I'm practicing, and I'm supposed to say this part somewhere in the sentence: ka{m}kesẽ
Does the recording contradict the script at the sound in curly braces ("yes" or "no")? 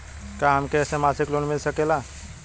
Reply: no